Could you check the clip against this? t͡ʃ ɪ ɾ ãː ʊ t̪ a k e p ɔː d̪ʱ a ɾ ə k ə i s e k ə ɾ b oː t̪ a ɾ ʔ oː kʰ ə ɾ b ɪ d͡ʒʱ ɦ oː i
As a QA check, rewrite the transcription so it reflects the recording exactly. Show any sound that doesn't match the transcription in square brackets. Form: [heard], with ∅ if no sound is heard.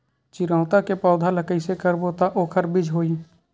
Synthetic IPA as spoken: t͡ʃ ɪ ɾ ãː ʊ t̪ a k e p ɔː d̪ʱ a [l] ə k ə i s e k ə ɾ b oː t̪ a [∅] ʔ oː kʰ ə ɾ b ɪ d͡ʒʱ ɦ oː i